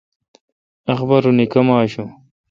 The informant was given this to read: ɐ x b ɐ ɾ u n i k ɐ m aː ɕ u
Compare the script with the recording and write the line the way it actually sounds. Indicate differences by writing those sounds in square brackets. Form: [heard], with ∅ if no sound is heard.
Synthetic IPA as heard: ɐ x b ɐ ɾ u n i k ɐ m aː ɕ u

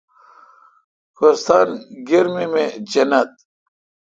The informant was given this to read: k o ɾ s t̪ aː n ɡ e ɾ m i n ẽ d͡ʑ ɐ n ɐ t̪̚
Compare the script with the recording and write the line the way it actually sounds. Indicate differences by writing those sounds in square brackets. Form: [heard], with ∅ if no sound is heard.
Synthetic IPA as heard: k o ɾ s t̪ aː n ɡ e ɾ m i [m] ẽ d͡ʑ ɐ n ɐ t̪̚

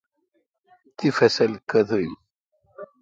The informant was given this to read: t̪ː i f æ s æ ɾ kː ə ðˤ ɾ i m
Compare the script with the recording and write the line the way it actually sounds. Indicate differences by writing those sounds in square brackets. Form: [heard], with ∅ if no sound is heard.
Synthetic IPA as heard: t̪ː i f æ s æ [l] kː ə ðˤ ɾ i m

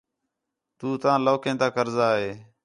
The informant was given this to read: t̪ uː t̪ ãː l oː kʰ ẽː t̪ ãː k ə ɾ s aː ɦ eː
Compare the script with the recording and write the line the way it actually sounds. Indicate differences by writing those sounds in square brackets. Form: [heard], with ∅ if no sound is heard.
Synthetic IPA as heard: t̪ uː t̪ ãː l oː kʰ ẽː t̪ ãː k ə ɾ [z] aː ɦ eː

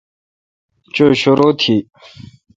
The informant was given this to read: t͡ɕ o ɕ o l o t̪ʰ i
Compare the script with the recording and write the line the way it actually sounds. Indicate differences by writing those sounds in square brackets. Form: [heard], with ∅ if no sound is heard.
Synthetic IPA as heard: t͡ɕ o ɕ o [ɾ] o t̪ʰ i

